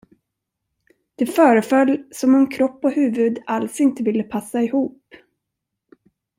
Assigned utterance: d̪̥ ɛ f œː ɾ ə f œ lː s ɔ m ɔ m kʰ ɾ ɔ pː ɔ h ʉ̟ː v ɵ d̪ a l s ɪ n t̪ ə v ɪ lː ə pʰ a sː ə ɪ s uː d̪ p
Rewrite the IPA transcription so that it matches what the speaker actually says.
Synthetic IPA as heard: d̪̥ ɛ f œː ɾ ə f œ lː s ɔ m ɔ m kʰ ɾ ɔ pː ɔ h ʉ̟ː v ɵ d̪ a l s ɪ n t̪ ə v ɪ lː ə pʰ a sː a ɪ h uː p